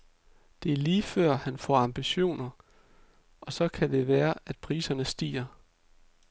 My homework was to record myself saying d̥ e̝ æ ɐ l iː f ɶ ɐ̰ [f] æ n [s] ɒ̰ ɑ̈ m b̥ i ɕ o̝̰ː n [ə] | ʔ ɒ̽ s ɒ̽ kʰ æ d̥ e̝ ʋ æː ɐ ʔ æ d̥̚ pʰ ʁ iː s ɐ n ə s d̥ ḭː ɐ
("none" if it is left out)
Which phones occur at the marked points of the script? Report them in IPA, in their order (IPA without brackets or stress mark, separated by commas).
h, f, ɐ